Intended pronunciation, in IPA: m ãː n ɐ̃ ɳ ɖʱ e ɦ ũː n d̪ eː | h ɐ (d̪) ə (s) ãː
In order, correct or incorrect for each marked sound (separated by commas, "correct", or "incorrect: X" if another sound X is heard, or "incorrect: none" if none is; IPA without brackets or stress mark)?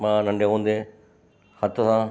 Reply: incorrect: t̪, correct